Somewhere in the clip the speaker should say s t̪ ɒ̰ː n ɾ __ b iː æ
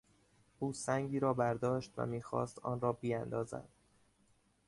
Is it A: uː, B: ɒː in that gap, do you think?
B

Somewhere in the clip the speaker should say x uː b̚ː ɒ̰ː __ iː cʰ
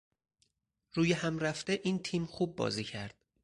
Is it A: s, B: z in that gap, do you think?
B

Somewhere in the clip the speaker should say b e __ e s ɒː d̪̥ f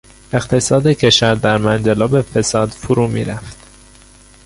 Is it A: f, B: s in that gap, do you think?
A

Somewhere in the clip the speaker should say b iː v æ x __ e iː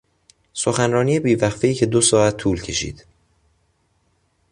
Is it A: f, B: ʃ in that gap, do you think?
A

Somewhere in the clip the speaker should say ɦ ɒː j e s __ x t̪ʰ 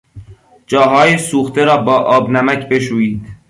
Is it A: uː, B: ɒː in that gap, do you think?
A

